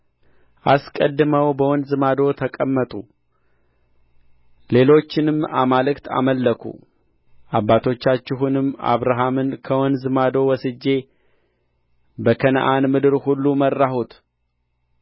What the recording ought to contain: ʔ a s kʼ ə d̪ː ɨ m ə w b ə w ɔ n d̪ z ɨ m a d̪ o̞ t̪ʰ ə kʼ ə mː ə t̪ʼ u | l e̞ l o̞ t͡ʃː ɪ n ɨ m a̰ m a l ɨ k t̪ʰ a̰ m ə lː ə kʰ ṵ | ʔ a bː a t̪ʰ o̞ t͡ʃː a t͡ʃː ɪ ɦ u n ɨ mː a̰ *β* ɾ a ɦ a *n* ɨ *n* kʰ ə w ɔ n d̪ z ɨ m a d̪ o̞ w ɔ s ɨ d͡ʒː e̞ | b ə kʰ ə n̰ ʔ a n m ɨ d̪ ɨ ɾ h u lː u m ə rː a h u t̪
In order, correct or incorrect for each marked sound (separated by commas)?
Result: correct, incorrect, correct